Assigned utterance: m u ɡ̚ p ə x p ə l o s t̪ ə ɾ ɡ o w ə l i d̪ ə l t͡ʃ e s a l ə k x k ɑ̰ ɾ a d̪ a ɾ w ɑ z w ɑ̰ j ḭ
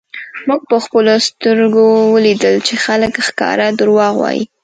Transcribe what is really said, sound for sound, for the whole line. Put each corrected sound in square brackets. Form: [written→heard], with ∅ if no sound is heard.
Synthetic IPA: m u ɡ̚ p ə x p ə l o s t̪ ə ɾ ɡ o w ə l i d̪ ə l t͡ʃ e [s→x] a l ə k x k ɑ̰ ɾ a d̪ [a→ə] ɾ w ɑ [z→ɣ] w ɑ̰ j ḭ

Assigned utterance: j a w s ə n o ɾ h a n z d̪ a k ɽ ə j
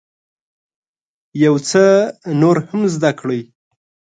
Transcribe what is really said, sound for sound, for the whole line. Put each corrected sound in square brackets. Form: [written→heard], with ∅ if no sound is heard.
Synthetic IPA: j a w [s→t͡s] ə n o ɾ h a [n→m] z d̪ a k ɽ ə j

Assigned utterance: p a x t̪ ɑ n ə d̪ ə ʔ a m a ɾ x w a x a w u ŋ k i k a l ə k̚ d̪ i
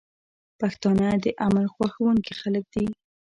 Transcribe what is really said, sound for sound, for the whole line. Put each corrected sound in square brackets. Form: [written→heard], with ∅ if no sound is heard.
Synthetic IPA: p a x t̪ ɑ n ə d̪ ə ʔ a m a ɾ x w a x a w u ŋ k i [k→x] a l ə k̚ d̪ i

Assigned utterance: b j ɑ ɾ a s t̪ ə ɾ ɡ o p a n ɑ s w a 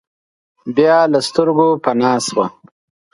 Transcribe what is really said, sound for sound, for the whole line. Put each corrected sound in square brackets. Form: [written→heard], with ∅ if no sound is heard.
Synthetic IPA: b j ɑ [ɾ→l] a s t̪ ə ɾ ɡ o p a n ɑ s w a

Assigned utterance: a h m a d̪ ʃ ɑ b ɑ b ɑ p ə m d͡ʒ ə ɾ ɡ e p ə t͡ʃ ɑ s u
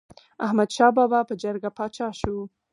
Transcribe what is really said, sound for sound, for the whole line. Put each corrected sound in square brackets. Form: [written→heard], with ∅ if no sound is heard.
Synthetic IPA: a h m a d̪ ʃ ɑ b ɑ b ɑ p ə [m→∅] d͡ʒ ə ɾ ɡ [e→a] p [ə→ɑ] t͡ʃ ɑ [s→ʃ] u

